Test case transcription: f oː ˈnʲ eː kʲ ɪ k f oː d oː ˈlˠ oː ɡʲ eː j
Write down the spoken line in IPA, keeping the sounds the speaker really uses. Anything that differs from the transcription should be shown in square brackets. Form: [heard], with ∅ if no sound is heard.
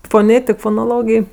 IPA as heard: f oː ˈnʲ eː [tʲ] ɪ k f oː [n] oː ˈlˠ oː ɡʲ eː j